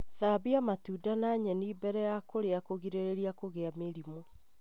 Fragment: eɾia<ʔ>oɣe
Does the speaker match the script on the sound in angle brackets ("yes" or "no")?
no